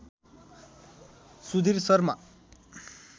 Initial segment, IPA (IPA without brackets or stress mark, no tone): s